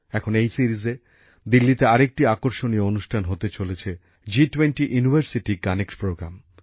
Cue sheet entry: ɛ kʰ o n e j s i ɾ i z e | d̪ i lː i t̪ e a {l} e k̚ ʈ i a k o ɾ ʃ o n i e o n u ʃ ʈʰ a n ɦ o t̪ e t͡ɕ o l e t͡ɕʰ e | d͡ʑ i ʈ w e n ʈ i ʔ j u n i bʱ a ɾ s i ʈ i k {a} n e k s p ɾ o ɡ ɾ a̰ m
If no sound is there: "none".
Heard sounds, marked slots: ɾ, a

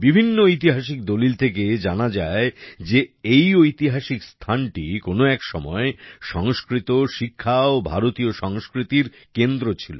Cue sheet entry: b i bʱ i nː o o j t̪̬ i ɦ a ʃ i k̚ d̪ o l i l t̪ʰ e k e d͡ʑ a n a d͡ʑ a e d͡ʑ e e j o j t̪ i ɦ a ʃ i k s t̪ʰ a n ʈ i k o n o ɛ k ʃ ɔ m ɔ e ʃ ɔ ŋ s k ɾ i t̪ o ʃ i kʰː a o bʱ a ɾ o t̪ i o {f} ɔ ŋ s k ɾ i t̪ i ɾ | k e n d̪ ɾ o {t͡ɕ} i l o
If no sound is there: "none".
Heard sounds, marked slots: ʃ, t͡ɕʰ

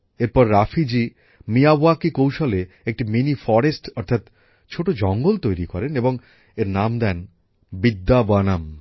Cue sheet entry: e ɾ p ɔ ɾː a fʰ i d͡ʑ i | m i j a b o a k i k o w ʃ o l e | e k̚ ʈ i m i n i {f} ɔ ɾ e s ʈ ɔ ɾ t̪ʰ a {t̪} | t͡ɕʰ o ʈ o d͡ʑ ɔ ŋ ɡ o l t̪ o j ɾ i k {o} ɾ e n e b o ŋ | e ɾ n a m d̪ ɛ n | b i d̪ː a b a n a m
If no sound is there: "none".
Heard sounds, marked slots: f, t̪, ɔ

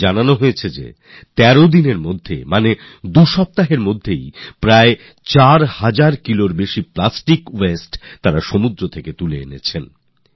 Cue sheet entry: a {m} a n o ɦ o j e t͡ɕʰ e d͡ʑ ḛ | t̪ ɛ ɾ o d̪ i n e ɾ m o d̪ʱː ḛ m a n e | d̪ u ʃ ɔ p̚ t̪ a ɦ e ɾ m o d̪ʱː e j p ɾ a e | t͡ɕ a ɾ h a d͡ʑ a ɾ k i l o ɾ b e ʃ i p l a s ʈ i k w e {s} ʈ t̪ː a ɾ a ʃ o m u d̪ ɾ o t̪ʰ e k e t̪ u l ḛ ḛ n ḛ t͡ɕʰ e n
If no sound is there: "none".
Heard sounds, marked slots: n, s

